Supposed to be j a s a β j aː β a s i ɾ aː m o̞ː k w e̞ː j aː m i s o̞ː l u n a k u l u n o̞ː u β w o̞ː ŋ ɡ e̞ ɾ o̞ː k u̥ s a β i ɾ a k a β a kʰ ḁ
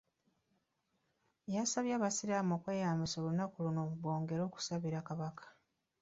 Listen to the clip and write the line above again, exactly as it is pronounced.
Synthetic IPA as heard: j a s a β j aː β a s i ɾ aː m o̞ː k w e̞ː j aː m i s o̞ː l u n a k u l u n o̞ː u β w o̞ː ŋ ɡ e̞ ɾ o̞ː k u̥ s a β i ɾ a k a β a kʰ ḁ